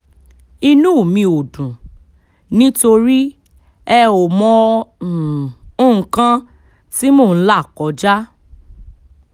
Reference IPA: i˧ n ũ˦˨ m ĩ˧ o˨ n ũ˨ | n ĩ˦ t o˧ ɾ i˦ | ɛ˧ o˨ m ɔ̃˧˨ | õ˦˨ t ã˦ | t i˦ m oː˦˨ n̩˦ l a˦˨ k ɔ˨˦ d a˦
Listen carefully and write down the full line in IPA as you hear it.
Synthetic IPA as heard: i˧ n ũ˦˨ m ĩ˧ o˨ d ũ˨ | n ĩ˦ t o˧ ɾ i˦ | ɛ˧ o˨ m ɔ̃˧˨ | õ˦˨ k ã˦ | t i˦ m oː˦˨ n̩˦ l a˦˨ k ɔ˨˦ d͡ʒ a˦

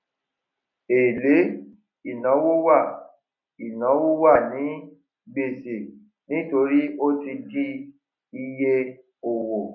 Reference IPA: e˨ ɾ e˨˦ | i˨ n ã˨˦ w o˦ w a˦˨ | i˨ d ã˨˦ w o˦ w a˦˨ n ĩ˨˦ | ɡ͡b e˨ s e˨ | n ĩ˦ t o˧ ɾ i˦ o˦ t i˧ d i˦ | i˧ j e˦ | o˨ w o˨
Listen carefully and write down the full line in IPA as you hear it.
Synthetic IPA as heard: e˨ l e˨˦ | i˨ n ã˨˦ w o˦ w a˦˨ | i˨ n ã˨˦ w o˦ w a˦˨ n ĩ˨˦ | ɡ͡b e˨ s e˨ | n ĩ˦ t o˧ ɾ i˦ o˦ t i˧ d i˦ | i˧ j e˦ | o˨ w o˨

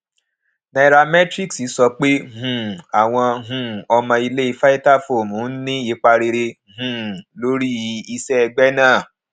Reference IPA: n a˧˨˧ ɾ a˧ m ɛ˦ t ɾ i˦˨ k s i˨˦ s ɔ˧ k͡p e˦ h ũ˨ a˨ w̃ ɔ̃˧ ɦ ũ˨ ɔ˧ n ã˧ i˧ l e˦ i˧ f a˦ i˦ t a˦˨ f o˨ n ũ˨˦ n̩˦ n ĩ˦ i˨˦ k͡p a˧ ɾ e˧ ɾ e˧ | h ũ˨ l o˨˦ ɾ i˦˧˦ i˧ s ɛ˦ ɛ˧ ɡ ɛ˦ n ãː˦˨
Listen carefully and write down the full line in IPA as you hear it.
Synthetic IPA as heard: n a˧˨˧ ɾ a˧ m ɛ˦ t ɾ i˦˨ k s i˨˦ s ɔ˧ k͡p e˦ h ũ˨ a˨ w̃ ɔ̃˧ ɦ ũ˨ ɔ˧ m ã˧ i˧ l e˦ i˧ f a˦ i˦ t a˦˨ f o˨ m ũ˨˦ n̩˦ n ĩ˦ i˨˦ k͡p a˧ ɾ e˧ ɾ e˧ | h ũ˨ l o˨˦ ɾ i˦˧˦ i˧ s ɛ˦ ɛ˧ ɡ͡b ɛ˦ n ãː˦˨

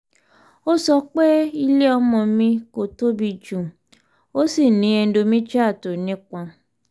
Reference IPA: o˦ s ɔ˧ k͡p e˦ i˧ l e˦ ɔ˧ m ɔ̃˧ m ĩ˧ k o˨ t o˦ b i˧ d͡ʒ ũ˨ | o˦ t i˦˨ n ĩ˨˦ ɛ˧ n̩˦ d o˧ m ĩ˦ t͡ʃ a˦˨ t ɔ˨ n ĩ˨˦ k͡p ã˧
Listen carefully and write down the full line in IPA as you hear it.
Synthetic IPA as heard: o˦ s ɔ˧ k͡p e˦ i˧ l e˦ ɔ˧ m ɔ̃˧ m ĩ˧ k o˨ t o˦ b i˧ d͡ʒ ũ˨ | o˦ s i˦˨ n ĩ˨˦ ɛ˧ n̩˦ d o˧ m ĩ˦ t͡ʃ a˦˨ t o˨ n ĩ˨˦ k͡p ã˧

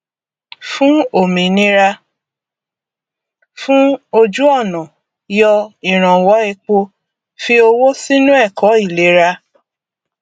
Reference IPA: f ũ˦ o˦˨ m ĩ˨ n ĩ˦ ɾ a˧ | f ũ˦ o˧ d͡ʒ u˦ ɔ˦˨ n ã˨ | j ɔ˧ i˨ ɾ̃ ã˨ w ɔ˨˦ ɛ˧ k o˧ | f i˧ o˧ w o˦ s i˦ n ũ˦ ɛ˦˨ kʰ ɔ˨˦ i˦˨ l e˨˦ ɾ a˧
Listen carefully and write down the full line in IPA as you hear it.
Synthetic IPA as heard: f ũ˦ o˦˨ m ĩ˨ n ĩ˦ ɾ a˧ | f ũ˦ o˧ d͡ʒ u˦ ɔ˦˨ n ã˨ | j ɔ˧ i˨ ɾ̃ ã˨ w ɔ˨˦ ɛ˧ k͡p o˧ | f i˧ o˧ w o˦ s i˦ n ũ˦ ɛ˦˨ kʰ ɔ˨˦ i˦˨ l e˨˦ ɾ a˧

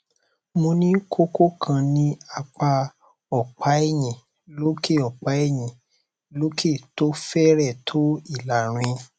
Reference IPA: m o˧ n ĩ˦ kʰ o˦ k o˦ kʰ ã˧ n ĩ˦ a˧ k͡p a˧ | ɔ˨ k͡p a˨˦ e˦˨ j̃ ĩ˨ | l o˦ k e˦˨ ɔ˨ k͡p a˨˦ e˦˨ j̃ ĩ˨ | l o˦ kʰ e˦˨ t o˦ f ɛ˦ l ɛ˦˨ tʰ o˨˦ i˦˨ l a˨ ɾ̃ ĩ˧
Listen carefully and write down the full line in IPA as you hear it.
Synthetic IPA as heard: m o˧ n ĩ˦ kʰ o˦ k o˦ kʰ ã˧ n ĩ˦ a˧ k͡p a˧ | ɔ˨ k͡p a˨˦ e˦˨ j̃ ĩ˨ | l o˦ k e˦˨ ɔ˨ k͡p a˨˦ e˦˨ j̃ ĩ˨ | l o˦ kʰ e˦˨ t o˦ f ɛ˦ ɾ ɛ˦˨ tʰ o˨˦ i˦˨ l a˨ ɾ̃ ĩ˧

